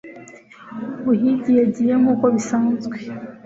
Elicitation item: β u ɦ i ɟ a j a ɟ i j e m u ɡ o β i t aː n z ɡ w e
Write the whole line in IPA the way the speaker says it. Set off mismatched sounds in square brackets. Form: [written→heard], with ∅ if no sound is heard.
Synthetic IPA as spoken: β u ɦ i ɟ [a→i] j a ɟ i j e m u [ɡ→k] o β i [t→s] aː n z ɡ w e